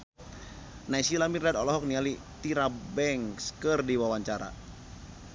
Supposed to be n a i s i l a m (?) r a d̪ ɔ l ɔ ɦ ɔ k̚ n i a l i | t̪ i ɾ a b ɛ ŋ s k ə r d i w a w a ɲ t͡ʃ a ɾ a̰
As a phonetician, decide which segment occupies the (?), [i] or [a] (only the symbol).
i